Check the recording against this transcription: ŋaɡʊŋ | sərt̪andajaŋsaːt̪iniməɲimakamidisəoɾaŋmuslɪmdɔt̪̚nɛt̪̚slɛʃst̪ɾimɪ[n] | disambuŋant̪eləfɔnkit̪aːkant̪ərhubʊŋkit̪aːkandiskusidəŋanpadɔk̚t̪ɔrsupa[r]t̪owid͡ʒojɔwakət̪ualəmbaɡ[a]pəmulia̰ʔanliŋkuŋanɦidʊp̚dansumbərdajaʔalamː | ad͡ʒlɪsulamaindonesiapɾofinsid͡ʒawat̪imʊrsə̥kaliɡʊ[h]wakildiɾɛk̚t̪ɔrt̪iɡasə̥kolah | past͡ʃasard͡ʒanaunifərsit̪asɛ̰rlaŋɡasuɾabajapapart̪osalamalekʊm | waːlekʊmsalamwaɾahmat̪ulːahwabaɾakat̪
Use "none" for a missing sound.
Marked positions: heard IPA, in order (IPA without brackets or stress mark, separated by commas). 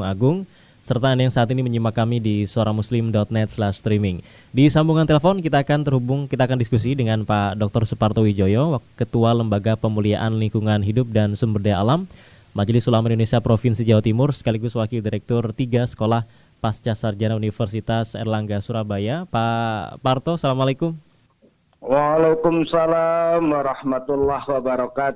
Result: ŋ, r, a, s